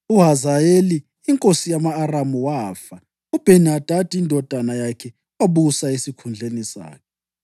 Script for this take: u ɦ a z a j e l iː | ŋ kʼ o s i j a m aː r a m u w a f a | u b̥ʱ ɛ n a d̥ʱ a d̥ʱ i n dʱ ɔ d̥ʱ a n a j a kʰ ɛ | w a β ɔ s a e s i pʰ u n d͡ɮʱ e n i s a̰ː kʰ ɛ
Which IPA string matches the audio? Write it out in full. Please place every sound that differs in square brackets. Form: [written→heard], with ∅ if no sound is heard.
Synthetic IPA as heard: u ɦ a z a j e l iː | ŋ kʼ o s i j a m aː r a m u w a f a | u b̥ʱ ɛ n a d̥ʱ a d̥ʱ i n dʱ ɔ d̥ʱ a n a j a kʰ ɛ | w a β [ɔ→u] s a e s i [pʰ→kʰ] u n d͡ɮʱ e n i s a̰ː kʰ ɛ